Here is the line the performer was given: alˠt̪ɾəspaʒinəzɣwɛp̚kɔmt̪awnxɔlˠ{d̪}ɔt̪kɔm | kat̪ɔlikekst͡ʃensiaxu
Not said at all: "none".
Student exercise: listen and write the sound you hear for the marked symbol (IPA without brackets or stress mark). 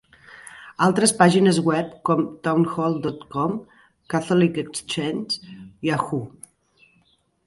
d̪